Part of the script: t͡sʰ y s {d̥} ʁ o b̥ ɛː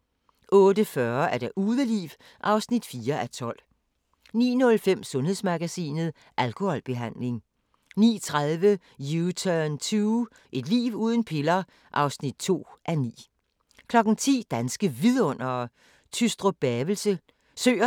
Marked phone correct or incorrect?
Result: correct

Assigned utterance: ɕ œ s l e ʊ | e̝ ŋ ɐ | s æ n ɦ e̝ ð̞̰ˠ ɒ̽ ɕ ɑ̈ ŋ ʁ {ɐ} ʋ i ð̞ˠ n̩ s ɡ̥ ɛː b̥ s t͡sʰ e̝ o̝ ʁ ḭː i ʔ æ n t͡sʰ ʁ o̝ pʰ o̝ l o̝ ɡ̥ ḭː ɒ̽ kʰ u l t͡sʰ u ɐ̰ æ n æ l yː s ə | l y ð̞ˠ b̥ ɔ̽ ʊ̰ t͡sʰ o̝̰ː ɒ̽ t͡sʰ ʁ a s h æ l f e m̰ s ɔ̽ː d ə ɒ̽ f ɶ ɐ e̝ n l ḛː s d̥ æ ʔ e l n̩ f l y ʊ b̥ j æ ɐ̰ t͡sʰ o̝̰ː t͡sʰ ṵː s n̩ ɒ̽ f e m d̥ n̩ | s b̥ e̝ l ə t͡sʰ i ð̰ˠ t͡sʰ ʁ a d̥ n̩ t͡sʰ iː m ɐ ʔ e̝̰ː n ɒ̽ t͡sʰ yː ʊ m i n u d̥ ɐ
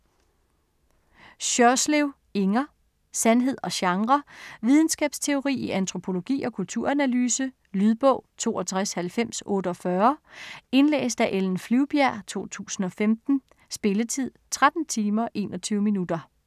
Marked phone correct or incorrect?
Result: correct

